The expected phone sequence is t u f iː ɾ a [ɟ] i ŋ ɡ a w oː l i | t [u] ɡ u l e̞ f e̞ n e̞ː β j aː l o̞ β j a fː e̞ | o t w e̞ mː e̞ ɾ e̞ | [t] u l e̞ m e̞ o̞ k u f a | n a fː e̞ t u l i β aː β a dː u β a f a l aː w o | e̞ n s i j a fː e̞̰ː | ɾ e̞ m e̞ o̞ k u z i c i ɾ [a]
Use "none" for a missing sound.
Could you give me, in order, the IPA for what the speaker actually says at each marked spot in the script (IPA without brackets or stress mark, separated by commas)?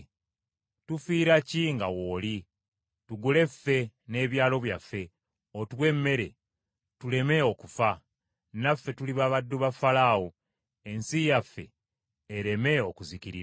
c, u, t, i